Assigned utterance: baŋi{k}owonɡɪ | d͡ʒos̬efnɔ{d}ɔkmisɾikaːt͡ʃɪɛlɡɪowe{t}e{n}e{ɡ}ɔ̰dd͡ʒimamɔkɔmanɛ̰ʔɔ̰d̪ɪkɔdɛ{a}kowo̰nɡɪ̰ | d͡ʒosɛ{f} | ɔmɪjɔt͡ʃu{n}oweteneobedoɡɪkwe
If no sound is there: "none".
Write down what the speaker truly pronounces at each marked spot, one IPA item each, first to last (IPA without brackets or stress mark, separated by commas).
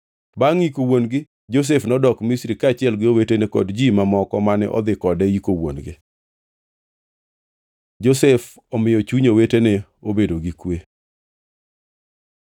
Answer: k, d, t, n, k, i, f, ɲ